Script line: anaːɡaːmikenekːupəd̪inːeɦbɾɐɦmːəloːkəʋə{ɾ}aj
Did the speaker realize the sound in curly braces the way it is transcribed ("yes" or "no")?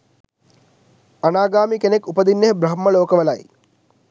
no